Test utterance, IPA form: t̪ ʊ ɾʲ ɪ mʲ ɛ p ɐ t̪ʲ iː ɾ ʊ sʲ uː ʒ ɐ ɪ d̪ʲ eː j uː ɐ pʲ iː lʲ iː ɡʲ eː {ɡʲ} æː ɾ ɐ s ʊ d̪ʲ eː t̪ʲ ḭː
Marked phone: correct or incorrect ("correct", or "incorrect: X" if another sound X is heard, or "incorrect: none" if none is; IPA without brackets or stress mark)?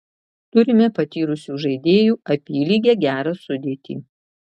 correct